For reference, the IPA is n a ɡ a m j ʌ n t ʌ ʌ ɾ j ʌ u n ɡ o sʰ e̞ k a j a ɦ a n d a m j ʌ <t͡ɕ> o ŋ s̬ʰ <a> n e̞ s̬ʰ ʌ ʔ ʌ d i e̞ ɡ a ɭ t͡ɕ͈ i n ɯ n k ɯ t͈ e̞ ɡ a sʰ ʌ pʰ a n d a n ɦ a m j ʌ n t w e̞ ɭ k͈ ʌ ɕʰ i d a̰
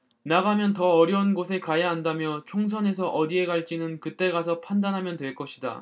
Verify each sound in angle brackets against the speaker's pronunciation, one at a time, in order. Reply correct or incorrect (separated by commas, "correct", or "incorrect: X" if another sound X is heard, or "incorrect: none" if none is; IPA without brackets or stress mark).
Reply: incorrect: t͡ɕʰ, incorrect: ʌ